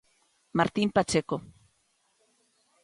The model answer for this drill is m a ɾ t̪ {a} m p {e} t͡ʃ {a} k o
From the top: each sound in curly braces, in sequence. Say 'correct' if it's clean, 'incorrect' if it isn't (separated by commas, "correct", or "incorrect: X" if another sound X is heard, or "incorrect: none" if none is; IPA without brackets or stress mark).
incorrect: i, incorrect: a, incorrect: e